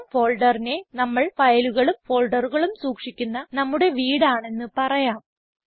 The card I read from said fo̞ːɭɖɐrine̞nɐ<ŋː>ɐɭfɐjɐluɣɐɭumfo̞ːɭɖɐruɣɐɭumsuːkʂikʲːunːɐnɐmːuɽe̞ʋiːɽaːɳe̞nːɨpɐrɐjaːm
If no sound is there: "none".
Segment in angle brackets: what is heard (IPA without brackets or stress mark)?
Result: mː